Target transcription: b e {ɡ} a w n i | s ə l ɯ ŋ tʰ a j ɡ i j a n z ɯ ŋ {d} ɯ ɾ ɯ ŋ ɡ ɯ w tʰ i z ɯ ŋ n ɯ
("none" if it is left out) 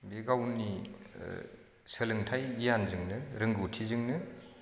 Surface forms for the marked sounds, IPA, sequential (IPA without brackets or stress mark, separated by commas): ɡ, n